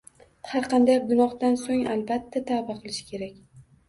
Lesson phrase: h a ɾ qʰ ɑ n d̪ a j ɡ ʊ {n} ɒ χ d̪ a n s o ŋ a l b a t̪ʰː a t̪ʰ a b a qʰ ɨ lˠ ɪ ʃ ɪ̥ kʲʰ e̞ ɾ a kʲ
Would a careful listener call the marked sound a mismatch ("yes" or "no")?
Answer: no